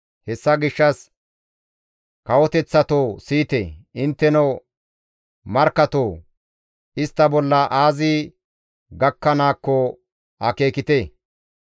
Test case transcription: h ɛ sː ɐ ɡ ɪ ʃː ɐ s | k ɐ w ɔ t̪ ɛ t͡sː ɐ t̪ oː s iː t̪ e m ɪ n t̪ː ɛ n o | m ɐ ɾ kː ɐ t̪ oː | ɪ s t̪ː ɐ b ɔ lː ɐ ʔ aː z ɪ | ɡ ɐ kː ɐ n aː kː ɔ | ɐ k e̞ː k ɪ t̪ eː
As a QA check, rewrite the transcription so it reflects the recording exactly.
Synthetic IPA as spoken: h ɛ sː ɐ ɡ ɪ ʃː ɐ s | k ɐ w ɔ t̪ ɛ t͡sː ɐ t̪ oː s iː t̪ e ɪ n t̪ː ɛ n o | m ɐ ɾ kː ɐ t̪ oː | ɪ s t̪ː ɐ b ɔ lː ɐ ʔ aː z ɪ | ɡ ɐ kː ɐ n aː kː ɔ | ɐ k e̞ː k ɪ t̪ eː